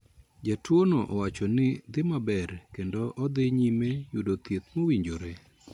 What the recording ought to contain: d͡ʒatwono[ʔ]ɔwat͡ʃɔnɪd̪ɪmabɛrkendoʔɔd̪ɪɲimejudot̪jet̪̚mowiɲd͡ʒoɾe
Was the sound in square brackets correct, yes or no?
yes